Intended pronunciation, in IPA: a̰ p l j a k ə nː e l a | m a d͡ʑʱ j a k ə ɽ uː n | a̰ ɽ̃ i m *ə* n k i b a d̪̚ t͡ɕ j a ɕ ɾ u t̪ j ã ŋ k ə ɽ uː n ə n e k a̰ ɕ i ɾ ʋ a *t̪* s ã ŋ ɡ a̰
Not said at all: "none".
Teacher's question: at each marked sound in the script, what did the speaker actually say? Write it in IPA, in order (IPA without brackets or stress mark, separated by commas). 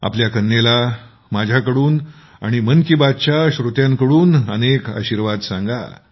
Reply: ə, d̪